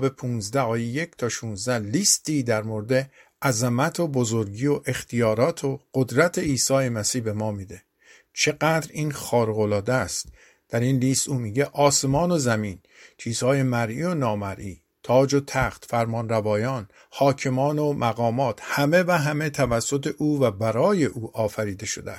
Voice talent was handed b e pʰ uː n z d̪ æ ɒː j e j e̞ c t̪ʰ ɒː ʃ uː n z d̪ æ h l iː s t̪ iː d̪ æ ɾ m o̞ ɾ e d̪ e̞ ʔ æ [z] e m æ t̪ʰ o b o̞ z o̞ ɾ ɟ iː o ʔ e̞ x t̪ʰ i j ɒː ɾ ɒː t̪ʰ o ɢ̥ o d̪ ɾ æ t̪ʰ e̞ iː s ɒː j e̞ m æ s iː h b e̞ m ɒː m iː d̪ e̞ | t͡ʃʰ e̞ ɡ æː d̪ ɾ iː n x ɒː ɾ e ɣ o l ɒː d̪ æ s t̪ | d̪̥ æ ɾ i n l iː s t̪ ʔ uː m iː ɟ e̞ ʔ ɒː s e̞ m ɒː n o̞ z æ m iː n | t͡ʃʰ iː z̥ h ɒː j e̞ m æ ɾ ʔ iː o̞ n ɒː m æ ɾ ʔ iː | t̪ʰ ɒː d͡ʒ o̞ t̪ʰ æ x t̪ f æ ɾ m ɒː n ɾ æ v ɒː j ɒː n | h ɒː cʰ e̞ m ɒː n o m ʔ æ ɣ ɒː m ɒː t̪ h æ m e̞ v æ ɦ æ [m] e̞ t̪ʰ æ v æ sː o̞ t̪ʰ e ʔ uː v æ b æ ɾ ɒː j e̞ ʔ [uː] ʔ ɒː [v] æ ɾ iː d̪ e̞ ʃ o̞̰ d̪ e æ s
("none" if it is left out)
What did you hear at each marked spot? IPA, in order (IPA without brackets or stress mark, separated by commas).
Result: z, m, uː, f